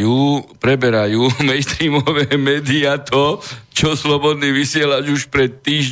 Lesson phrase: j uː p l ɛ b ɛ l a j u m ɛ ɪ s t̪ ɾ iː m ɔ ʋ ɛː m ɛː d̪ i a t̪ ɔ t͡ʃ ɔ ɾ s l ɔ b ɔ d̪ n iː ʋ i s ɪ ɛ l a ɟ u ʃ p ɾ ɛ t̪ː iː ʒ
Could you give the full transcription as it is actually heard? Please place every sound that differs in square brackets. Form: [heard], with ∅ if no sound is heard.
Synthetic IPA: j uː p [ɾ] ɛ b ɛ [ɾ] a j [uː] m ɛ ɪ s t̪ ɾ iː m ɔ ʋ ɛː m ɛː d̪ i a t̪ ɔ t͡ʃ ɔ [∅] s l ɔ b ɔ d̪ n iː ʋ i s ɪ ɛ l a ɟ u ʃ p ɾ ɛ t̪ː iː ʒ